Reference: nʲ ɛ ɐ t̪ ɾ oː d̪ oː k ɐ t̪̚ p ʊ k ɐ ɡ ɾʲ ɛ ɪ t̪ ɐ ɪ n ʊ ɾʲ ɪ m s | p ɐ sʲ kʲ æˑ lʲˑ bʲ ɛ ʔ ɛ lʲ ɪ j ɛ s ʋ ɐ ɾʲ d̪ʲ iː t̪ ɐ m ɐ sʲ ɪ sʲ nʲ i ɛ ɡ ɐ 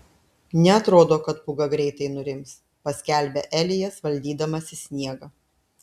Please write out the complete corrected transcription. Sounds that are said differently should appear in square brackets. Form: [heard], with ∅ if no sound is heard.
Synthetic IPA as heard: nʲ ɛ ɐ t̪ ɾ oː d̪ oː k ɐ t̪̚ p ʊ [ɡ] ɐ ɡ ɾʲ ɛ ɪ t̪ ɐ ɪ n ʊ ɾʲ ɪ m s | p ɐ sʲ kʲ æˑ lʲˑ bʲ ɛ ʔ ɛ lʲ ɪ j ɛ s ʋ ɐ [lʲ] d̪ʲ iː [d̪] ɐ m ɐ sʲ ɪ sʲ nʲ i ɛ ɡ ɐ

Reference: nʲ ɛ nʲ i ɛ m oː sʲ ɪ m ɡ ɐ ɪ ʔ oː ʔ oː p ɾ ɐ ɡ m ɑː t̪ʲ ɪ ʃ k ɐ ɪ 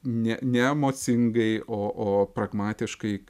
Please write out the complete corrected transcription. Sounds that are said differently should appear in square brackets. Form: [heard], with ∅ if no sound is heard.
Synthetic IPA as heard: nʲ ɛ nʲ [ɛ] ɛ m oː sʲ ɪ [ŋ] ɡ ɐ ɪ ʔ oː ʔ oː p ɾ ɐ ɡ m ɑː t̪ʲ ɪ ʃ k ɐ ɪ

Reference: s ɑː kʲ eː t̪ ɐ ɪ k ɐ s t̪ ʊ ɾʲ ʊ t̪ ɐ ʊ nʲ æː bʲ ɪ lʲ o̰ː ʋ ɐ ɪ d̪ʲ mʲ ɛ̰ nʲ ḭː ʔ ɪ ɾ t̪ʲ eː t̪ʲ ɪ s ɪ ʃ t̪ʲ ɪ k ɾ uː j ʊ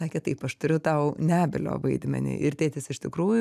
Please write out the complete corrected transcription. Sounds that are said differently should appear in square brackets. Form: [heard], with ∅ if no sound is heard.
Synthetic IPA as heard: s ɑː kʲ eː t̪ ɐ ɪ [p] ɐ [ʃ] t̪ ʊ ɾʲ ʊ t̪ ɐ ʊ nʲ æː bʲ ɪ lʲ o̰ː ʋ ɐ ɪ d̪ʲ mʲ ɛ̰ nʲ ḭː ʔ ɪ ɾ t̪ʲ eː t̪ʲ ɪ s ɪ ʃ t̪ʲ ɪ k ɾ uː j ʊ

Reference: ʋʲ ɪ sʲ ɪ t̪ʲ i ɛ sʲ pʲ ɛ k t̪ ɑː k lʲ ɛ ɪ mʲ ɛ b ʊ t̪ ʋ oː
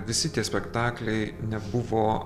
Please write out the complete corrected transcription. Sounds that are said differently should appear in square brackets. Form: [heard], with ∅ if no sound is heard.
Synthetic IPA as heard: ʋʲ ɪ sʲ ɪ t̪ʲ i ɛ sʲ pʲ ɛ k t̪ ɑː k lʲ ɛ ɪ [nʲ] ɛ b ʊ [∅] ʋ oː

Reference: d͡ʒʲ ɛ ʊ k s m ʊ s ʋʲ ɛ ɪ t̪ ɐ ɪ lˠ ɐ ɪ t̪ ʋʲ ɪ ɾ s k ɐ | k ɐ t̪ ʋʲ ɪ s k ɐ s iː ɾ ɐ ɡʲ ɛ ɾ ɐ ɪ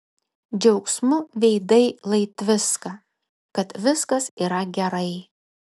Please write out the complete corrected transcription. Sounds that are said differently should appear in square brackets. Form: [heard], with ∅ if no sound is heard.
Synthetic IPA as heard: d͡ʒʲ ɛ ʊ k s m ʊ [∅] ʋʲ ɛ ɪ [d̪] ɐ ɪ lˠ ɐ ɪ t̪ ʋʲ ɪ [∅] s k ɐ | k ɐ t̪ ʋʲ ɪ s k ɐ s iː ɾ ɐ ɡʲ ɛ ɾ ɐ ɪ

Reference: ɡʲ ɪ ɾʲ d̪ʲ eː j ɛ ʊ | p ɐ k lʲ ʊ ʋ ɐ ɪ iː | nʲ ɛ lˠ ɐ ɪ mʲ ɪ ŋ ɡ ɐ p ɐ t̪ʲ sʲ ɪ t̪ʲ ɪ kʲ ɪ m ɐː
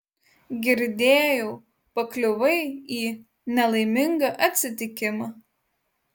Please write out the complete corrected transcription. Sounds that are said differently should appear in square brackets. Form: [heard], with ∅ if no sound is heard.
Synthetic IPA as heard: ɡʲ ɪ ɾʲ d̪ʲ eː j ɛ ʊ | p ɐ k lʲ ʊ ʋ ɐ ɪ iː | nʲ ɛ lˠ ɐ ɪ mʲ ɪ ŋ ɡ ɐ [ʔ] ɐ t̪ʲ sʲ ɪ t̪ʲ ɪ kʲ ɪ m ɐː

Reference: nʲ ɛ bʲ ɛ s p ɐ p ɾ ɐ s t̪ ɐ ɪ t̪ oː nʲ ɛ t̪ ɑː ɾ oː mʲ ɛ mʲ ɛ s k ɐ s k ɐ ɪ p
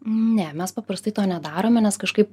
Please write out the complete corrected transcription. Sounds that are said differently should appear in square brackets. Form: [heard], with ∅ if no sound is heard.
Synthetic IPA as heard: nʲ ɛ [mʲ] ɛ s p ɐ p ɾ ɐ s t̪ ɐ ɪ t̪ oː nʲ ɛ [d̪] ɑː ɾ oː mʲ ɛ [nʲ] ɛ s k ɐ [ʃ] k ɐ ɪ p

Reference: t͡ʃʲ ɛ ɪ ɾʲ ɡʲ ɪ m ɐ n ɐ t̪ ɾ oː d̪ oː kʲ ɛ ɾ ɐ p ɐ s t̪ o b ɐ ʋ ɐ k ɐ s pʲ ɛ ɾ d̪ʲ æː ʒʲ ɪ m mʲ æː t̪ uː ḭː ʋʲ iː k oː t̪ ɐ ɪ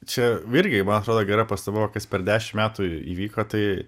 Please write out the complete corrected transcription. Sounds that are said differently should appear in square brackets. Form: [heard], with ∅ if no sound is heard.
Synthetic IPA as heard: t͡ʃʲ ɛ ɪ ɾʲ ɡʲ ɪ m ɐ n ɐ t̪ ɾ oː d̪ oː [ɡʲ] ɛ ɾ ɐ p ɐ s t̪ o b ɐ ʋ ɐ k ɐ s pʲ ɛ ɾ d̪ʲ æː [ʃʲ] ɪ m mʲ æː t̪ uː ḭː ʋʲ iː k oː t̪ ɐ ɪ

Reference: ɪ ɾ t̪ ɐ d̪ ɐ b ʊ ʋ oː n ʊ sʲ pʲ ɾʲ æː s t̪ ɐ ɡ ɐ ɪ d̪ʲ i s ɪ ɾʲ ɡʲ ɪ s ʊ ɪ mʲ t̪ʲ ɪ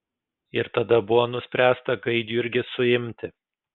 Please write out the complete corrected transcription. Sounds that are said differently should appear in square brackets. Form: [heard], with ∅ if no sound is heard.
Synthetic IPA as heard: ɪ ɾ t̪ ɐ d̪ ɐ b ʊ ʋ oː n ʊ sʲ pʲ ɾʲ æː s t̪ ɐ ɡ ɐ ɪ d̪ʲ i [∅] ɪ ɾʲ ɡʲ ɪ s ʊ ɪ mʲ t̪ʲ ɪ

